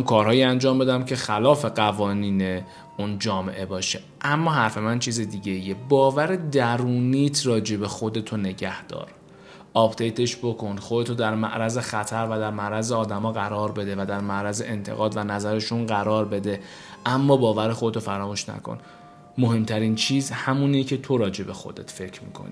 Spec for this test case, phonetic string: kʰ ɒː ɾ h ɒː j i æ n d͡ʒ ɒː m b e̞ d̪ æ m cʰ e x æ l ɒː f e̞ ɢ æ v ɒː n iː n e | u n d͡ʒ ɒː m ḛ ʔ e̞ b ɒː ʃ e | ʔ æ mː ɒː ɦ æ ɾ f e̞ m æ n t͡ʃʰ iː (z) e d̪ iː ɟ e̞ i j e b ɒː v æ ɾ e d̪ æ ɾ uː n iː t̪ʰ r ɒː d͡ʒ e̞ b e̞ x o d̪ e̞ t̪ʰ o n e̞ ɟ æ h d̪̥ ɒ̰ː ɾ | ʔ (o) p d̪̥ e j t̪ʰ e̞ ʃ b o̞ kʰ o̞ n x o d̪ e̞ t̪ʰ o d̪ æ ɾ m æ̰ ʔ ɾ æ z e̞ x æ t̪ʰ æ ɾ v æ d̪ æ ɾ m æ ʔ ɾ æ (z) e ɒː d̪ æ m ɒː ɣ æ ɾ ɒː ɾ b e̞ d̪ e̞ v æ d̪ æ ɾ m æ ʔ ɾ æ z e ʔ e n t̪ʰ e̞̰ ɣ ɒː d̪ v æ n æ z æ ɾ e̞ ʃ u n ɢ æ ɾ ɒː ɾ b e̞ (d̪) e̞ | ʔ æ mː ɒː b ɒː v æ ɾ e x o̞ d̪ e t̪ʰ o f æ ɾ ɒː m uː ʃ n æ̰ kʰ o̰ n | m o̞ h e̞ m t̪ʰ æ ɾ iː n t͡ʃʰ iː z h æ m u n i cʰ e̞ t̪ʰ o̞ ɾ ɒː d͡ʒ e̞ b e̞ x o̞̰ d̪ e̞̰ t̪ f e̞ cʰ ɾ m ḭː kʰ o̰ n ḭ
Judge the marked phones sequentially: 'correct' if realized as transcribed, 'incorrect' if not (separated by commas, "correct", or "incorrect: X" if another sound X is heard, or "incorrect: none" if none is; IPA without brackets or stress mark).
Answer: correct, incorrect: ɒ, correct, correct